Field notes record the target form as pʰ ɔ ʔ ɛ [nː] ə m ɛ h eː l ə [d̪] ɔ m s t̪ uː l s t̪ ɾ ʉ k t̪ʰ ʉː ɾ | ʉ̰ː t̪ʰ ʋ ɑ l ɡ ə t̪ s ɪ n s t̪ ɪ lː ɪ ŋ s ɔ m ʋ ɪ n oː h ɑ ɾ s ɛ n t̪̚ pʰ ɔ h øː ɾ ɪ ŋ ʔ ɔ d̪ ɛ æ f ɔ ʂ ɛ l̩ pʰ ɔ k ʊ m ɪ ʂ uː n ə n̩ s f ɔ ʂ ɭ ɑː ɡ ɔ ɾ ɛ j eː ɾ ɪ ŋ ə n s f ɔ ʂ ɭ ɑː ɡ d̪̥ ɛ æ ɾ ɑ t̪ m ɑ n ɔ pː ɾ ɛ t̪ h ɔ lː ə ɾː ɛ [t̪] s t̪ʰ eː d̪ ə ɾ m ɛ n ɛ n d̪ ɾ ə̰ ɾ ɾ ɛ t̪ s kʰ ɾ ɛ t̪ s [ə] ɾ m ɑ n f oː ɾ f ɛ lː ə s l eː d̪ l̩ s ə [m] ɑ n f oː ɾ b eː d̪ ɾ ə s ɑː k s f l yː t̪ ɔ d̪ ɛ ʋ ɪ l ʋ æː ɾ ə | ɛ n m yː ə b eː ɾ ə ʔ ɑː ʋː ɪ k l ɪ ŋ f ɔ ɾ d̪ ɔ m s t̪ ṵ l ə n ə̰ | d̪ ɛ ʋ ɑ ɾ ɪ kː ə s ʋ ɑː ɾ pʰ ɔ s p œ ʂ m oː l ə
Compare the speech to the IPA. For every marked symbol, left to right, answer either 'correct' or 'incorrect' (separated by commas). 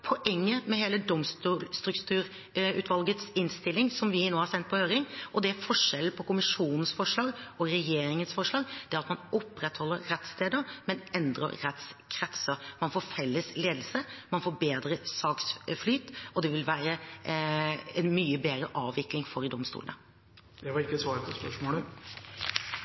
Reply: incorrect, correct, correct, correct, correct